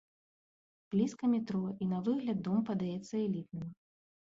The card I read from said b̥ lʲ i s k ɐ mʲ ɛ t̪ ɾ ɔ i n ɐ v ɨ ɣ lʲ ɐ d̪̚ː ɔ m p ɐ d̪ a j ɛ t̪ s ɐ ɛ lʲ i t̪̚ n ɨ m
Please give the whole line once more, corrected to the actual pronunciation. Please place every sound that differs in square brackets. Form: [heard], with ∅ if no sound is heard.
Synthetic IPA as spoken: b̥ lʲ i s k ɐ mʲ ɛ t̪ ɾ ɔ i n ɐ v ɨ ɣ lʲ ɐ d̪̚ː ɔ m p ɐ d̪ a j ɛ t̪ [sː] ɐ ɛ lʲ i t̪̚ n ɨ m